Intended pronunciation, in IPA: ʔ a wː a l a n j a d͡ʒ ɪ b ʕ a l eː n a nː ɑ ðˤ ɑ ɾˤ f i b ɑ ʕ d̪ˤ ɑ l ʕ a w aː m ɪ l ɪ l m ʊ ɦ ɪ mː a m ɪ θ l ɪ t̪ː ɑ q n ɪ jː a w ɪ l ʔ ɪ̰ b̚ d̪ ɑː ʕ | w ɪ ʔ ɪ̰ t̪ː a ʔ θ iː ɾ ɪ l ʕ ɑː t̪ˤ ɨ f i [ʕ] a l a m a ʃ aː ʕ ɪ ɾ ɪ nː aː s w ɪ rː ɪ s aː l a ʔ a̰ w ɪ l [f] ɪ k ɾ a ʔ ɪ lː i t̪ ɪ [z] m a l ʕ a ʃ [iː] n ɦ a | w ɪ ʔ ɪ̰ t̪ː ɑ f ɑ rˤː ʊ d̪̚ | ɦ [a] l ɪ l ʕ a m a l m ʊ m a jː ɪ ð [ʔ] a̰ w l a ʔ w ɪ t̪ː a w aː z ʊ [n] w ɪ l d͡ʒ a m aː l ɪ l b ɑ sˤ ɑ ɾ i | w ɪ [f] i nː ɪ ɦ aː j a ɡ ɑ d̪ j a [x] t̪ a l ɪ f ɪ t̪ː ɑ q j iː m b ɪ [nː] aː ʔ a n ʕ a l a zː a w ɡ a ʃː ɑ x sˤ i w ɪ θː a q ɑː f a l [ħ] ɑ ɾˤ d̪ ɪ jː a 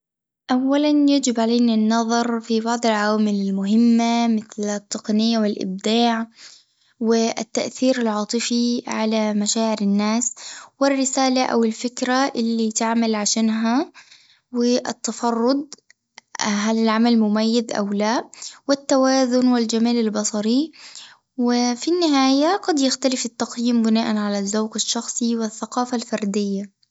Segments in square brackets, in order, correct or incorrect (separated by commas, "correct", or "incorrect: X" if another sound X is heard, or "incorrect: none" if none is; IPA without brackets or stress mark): correct, correct, incorrect: ʕ, incorrect: aː, correct, correct, correct, correct, correct, incorrect: n, incorrect: f